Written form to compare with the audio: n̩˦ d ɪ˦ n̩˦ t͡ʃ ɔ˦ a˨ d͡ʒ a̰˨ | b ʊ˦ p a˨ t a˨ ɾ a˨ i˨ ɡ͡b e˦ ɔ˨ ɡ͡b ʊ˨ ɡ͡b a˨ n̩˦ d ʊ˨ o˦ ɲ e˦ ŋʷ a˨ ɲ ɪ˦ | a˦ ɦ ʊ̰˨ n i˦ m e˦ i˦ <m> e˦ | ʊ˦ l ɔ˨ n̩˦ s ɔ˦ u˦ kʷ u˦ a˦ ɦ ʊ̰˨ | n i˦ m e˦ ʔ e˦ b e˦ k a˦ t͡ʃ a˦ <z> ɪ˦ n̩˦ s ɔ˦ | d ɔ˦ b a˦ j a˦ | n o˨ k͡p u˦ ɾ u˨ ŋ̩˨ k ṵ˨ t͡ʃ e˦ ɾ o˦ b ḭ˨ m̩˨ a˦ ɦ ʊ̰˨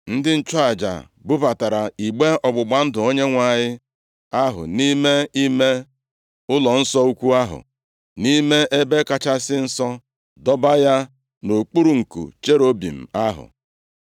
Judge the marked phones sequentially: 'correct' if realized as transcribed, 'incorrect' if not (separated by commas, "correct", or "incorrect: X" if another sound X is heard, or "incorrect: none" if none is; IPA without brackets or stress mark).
correct, incorrect: s